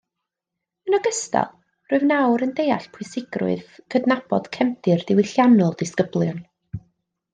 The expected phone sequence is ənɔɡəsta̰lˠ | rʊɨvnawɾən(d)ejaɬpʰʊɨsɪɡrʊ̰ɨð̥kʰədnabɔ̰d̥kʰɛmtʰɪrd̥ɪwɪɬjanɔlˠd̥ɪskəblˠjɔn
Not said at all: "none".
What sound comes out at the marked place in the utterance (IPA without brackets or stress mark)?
d